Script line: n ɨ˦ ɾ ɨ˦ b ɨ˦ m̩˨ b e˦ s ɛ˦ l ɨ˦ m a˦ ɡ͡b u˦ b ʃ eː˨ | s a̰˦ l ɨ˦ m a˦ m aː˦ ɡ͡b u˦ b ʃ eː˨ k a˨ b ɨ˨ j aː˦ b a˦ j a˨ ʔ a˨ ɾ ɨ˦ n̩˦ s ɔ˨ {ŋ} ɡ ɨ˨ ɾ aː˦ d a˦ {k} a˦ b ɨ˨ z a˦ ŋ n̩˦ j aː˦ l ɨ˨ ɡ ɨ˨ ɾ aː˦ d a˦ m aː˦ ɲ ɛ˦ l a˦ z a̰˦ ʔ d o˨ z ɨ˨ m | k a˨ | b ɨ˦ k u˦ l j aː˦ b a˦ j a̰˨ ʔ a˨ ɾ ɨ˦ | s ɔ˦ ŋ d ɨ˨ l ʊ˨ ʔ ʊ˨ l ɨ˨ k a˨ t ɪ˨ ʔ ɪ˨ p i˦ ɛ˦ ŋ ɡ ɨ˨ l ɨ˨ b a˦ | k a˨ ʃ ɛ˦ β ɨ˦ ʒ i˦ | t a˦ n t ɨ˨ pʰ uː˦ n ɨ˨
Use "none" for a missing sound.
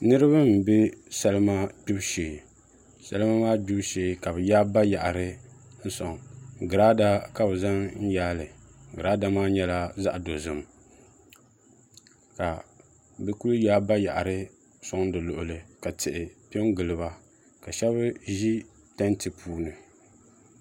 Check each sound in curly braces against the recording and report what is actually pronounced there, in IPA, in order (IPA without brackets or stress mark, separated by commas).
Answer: ŋ, k